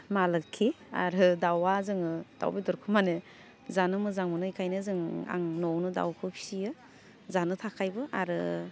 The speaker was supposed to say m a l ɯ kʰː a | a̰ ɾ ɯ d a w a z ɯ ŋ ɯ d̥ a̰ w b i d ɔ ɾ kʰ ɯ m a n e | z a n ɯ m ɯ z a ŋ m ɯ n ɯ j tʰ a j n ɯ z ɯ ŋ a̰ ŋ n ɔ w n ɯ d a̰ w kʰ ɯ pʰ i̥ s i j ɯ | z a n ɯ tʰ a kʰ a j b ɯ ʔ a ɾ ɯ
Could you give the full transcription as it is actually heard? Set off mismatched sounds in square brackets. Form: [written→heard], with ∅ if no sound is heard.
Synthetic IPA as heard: m a l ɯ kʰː [a→i] | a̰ ɾ ɯ d a w a z ɯ ŋ ɯ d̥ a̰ w b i d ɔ ɾ kʰ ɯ m a n e | z a n ɯ m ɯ z a ŋ m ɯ n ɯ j [tʰ→kʰ] a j n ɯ z ɯ ŋ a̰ ŋ n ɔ w n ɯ d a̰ w kʰ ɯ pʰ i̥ s i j ɯ | z a n ɯ tʰ a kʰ a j b ɯ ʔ a ɾ ɯ